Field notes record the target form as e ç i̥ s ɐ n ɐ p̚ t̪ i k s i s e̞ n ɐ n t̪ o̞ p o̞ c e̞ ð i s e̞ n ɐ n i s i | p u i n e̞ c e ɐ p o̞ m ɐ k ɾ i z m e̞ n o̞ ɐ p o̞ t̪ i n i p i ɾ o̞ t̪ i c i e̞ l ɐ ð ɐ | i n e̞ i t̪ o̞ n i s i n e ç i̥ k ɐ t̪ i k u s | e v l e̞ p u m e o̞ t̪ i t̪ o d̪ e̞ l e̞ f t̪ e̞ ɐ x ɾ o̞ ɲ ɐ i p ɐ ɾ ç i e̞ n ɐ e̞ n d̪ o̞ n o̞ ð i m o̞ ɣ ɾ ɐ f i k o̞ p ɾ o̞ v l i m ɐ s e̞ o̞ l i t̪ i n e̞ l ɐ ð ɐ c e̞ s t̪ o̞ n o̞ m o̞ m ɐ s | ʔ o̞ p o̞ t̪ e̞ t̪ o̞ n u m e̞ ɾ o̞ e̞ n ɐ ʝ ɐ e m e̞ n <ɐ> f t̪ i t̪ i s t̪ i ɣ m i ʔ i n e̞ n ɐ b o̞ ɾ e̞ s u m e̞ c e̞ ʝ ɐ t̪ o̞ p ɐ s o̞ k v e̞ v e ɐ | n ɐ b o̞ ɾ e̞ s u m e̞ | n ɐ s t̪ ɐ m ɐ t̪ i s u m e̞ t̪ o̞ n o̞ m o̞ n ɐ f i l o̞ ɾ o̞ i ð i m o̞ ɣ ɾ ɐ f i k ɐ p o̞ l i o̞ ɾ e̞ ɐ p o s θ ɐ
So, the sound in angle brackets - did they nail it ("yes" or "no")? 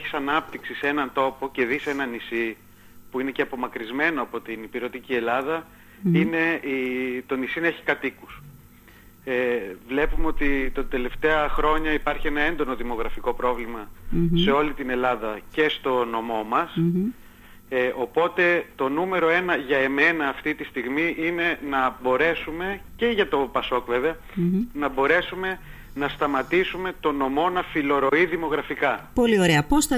no